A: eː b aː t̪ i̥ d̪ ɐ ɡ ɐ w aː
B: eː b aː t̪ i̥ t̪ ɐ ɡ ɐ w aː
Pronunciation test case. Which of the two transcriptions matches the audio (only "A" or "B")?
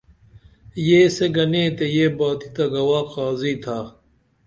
B